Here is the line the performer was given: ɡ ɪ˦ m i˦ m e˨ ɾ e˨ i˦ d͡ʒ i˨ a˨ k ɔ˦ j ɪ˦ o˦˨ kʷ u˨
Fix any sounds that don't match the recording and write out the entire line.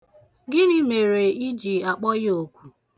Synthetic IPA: ɡ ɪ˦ n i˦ m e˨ ɾ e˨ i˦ d͡ʒ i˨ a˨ k͡p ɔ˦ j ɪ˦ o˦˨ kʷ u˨